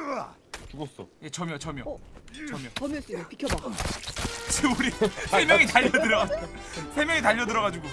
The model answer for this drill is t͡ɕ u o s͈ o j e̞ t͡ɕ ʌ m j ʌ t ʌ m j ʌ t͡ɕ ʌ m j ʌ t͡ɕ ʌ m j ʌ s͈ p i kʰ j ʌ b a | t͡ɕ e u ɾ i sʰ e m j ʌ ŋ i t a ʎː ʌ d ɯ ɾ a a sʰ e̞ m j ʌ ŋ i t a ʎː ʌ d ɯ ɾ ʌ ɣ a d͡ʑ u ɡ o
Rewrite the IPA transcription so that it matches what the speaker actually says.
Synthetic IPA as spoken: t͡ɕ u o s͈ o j e̞ t͡ɕ ʌ m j ʌ t͡ɕ ʌ m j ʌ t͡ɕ ʌ m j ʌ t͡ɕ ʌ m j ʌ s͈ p i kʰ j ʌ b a | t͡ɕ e u ɾ i sʰ e m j ʌ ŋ i t a ʎː ʌ d ɯ ɾ ʌ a sʰ e̞ m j ʌ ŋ i t a ʎː ʌ d ɯ ɾ ʌ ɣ a d͡ʑ u ɡ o